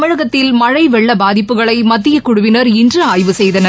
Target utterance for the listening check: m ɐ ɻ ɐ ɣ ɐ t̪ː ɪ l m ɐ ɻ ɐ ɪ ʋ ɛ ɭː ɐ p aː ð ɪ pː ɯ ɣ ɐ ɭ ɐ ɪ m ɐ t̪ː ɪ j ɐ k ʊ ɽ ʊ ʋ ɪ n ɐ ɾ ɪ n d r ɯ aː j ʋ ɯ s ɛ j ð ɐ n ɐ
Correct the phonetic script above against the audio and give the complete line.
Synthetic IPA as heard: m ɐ ɻ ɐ ɣ ɐ t̪ː ɪ l m ɐ ɻ ɐ ɪ ʋ ɛ ɭː ɐ b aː ð ɪ pː ɯ ɣ ɐ ɭ ɐ ɪ m ɐ t̪ː ɪ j ɐ k ʊ ɽ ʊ ʋ ɪ n ɐ ɾ ɪ n d r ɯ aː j ʋ ɯ s ɛ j ð ɐ n ɐ

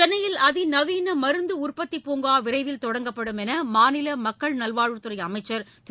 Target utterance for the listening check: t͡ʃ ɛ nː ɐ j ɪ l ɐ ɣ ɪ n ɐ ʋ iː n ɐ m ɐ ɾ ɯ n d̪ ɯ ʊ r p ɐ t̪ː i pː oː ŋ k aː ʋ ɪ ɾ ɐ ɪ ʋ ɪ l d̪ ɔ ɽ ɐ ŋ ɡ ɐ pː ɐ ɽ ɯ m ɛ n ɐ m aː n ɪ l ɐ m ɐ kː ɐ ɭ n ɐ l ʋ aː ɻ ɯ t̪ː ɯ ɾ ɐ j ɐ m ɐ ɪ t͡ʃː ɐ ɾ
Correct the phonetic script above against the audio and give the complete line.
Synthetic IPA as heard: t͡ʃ ɛ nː ɐ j ɪ l ɐ ð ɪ n ɐ ʋ iː n ɐ m ɐ ɾ ɯ n d̪ ɯ ʊ r p ɐ t̪ː i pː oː ŋ ɡ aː ʋ ɪ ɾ ɐ ɪ ʋ ɪ l t̪ ɔ ɽ ɐ ŋ ɡ ɐ pː ɐ ɽ ɯ m ɛ n ɐ m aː n ɪ l ɐ m ɐ kː ɐ ɭ n ɐ l ʋ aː ɻ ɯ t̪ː ɯ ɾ ɐ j ɐ m ɐ ɪ t͡ʃː ɐ ɾ

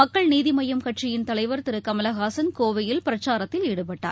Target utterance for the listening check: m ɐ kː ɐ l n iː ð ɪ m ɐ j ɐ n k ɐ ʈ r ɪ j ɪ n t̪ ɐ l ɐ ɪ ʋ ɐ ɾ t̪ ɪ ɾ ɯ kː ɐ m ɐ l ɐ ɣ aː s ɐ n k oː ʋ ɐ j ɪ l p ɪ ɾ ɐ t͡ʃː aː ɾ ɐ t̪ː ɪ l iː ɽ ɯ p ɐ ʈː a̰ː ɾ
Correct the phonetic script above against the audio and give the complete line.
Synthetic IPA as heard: m ɐ kː ɐ ɭ n iː ð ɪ m ɐ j ɐ m k ɐ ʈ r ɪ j ɪ n t̪ ɐ l ɐ ɪ ʋ ɐ ɾ t̪ ɪ ɾ ɯ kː ɐ m ɐ l ɐ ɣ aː s ɐ n k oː ʋ ɐ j ɪ l p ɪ ɾ ɐ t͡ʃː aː ɾ ɐ t̪ː ɪ l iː ɽ ɯ p ɐ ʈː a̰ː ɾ

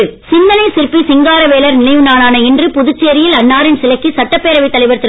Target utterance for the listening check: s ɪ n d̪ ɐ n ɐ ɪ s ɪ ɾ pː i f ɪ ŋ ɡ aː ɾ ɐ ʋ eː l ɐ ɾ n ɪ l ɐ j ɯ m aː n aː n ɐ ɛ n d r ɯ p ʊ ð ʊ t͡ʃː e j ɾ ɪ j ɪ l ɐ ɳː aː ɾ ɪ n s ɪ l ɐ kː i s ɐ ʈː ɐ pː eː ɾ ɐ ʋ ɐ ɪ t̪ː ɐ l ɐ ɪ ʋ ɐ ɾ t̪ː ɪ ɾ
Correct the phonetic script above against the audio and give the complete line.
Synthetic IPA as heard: s ɪ n d̪ ɐ n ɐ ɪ s ɪ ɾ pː i s ɪ ŋ ɡ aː ɾ ɐ ʋ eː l ɐ ɾ n ɪ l ɐ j ɯ n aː n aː n ɐ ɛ n d r ɯ p ʊ ð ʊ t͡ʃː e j ɾ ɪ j ɪ l ɐ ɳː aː ɾ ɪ n s ɪ l ɐ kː i s ɐ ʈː ɐ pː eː ɾ ɐ ʋ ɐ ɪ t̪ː ɐ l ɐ ɪ ʋ ɐ ɾ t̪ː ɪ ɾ

